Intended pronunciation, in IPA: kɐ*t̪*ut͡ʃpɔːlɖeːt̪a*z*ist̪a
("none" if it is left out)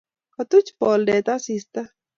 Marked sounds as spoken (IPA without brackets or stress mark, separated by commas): t̪, s